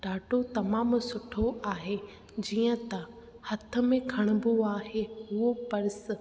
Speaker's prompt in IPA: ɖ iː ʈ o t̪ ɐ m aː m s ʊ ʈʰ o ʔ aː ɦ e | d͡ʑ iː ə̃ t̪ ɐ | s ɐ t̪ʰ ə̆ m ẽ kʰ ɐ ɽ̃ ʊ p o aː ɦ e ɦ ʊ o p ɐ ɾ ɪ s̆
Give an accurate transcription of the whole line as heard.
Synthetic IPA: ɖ aː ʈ o t̪ ɐ m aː m s ʊ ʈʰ o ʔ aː ɦ e | d͡ʑ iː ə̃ t̪ ɐ | h ɐ t̪ʰ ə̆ m ẽ kʰ ɐ ɽ̃ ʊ b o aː ɦ e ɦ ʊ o p ɐ ɾ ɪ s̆